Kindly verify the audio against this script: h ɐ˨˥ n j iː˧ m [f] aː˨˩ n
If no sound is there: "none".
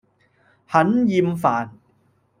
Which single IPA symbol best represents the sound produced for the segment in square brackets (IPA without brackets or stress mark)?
f